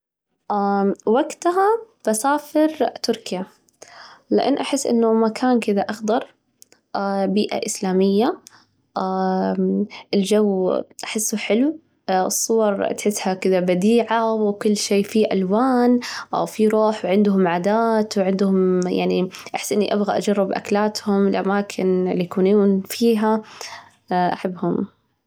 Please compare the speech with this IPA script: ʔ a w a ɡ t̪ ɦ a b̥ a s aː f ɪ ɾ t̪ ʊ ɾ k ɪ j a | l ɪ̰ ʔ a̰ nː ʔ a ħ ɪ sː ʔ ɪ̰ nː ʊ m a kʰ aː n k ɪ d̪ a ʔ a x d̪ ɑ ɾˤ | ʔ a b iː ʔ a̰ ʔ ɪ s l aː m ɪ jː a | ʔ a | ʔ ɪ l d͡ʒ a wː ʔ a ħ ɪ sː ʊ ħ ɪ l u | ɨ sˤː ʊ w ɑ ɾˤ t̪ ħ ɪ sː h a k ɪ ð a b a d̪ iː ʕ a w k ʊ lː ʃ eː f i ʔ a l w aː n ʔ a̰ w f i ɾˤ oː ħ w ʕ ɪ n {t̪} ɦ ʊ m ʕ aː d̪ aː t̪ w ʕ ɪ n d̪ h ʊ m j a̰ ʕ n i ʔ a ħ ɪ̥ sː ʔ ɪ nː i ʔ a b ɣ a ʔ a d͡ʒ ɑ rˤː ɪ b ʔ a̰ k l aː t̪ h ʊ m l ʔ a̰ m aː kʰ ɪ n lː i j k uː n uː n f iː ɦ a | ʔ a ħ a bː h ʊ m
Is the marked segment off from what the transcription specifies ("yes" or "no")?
yes